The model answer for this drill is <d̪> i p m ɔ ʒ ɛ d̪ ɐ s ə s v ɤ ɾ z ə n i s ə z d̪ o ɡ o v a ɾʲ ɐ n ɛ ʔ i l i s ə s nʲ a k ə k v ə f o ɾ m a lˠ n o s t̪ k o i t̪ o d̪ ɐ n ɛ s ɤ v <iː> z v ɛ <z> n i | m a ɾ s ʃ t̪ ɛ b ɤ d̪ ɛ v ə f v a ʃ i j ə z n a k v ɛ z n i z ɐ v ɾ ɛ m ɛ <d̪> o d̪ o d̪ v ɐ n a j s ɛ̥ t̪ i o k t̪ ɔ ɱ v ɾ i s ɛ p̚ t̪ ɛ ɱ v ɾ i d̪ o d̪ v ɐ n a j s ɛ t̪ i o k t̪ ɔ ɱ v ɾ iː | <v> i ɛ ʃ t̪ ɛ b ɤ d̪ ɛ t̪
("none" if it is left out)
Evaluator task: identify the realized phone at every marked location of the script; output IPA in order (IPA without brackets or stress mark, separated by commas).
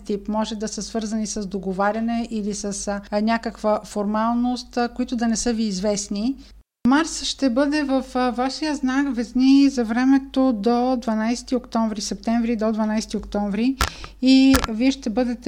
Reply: t̪, iː, s, t̪, v